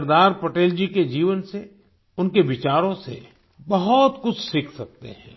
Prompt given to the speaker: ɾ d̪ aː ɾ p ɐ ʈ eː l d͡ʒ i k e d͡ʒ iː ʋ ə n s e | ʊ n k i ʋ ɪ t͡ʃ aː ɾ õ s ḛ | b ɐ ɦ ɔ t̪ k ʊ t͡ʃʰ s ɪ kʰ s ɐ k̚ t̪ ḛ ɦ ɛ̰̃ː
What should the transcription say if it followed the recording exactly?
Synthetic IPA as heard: ɾ d̪ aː ɾ p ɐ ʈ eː l d͡ʒ i k e d͡ʒ iː ʋ ə n s e | ʊ n k e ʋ ɪ t͡ʃ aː ɾ õ s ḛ | b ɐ ɦ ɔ t̪ k ʊ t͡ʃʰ s ɪ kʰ s ɐ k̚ t̪ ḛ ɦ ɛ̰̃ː